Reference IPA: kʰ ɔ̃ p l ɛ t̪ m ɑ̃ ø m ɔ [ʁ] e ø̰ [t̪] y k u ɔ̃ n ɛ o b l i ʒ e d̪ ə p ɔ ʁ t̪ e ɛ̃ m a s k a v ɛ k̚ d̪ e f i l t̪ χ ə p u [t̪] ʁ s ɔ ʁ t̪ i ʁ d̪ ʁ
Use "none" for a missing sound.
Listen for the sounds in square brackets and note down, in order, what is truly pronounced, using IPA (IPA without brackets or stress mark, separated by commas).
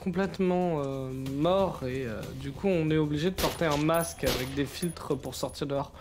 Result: ʁ, d̪, none